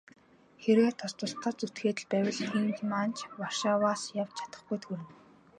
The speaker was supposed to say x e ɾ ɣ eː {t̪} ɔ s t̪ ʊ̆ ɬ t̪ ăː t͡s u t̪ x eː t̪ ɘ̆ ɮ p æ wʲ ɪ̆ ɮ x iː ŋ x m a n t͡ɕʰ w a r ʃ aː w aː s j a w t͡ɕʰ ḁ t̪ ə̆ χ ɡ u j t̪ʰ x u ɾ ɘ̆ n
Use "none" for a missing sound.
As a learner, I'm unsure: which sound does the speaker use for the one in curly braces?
t̪ʰ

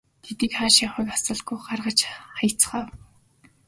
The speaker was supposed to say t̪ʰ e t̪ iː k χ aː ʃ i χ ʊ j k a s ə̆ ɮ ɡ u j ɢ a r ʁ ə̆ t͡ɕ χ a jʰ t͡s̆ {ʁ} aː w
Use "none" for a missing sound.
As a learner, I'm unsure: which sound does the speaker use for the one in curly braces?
χ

